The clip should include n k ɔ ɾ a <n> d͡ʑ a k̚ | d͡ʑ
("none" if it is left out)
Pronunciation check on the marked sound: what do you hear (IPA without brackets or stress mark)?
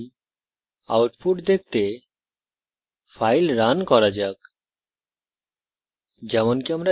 none